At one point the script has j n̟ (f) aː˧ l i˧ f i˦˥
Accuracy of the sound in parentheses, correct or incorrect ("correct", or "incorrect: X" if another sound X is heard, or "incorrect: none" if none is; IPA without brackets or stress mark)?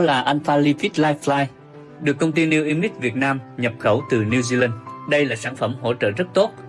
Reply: correct